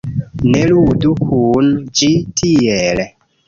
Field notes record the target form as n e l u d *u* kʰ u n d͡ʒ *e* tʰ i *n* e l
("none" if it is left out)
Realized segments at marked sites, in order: u, i, none

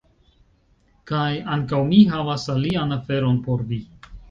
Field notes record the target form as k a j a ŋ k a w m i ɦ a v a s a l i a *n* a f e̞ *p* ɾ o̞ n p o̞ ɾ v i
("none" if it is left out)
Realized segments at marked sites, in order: n, none

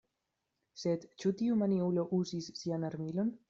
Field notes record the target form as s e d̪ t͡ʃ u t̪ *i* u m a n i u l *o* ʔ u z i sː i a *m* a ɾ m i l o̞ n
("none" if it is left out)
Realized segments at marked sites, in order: i, o, n

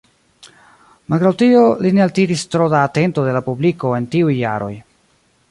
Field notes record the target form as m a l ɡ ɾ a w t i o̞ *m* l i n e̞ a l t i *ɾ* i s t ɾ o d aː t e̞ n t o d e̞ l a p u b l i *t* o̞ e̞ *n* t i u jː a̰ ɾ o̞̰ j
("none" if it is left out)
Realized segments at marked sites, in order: none, ɾ, k, n

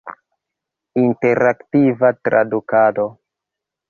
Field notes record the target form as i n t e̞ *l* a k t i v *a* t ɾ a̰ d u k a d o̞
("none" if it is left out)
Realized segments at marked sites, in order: ɾ, a

